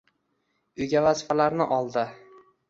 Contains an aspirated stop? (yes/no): no